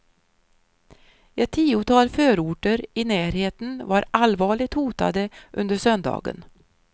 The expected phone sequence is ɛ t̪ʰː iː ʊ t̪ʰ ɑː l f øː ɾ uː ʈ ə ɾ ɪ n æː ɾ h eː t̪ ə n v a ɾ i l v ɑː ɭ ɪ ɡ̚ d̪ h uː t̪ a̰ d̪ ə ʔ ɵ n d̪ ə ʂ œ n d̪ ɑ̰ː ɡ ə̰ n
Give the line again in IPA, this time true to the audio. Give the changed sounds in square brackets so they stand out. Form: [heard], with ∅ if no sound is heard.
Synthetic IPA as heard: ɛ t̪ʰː iː ʊ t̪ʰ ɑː l f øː ɾ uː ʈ ə ɾ ɪ n æː ɾ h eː t̪ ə n v a ɾ [a] l v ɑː ɭ ɪ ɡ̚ [t̪] h uː t̪ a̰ d̪ ə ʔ ɵ n d̪ ə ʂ œ n d̪ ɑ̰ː ɡ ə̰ n